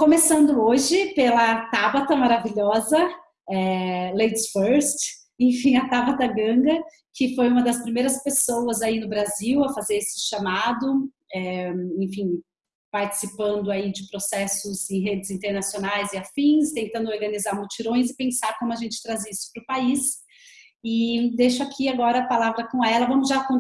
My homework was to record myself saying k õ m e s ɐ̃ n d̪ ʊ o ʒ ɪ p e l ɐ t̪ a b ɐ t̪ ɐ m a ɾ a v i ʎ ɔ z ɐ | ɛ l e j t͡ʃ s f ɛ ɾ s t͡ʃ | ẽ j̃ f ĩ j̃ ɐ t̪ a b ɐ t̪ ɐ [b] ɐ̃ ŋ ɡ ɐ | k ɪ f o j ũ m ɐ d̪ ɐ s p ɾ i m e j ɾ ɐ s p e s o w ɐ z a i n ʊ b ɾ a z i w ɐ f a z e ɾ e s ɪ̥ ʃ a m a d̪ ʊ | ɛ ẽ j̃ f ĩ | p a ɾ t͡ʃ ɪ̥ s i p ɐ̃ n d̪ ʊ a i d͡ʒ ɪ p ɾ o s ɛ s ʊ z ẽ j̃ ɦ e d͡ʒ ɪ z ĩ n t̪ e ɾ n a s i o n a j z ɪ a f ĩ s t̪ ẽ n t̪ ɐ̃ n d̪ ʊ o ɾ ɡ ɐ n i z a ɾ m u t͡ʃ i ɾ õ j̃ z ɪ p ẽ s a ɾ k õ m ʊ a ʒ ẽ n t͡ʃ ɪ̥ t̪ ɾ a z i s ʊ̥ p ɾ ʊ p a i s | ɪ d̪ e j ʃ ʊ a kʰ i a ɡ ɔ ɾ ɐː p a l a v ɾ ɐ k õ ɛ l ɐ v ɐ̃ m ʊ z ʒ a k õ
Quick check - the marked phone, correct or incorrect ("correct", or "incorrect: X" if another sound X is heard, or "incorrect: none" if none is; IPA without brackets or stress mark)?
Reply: incorrect: ɡ